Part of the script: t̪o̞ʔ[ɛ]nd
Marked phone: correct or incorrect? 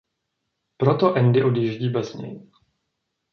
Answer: correct